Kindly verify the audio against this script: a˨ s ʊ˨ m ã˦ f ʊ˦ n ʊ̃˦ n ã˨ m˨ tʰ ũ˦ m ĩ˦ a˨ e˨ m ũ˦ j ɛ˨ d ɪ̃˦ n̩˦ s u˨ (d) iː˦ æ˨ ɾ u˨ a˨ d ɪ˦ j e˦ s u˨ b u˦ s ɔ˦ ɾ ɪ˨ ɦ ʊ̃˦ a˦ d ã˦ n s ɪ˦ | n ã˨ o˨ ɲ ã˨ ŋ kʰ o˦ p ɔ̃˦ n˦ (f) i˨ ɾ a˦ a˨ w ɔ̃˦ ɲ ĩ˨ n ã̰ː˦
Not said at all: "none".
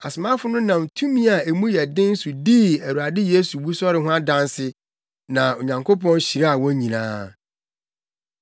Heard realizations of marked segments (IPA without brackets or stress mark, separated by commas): d, ɕ